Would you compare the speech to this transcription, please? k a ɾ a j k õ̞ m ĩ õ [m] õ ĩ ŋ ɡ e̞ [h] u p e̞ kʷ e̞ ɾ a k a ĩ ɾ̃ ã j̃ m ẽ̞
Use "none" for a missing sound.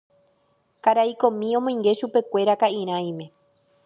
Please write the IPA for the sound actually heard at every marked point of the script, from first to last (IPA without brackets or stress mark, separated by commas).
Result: m, ʃ